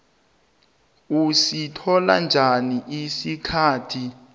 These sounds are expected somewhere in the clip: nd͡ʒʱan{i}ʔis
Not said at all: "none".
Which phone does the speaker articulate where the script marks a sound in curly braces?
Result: i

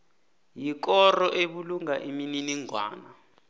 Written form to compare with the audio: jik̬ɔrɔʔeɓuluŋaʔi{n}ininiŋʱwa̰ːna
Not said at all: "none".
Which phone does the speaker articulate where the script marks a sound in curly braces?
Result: m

